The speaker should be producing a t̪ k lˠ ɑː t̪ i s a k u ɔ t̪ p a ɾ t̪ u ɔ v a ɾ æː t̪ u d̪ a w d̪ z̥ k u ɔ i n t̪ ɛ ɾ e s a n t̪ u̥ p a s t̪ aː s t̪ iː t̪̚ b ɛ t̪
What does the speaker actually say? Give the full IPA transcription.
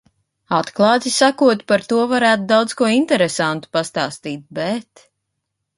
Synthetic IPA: a t̪ k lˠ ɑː t̪ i s a k u ɔ t̪ p a ɾ t̪ u ɔ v a ɾ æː t̪ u d̪ a w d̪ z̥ k u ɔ i n t̪ ɛ ɾ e s a n t̪ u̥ p a s t̪ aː s t̪ iː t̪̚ b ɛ t̪